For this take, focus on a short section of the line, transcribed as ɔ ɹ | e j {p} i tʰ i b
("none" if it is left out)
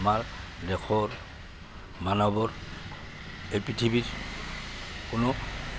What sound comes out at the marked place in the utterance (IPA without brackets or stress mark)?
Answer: p